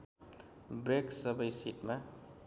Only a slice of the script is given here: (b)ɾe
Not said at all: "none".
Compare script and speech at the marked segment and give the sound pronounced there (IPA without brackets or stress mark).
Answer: b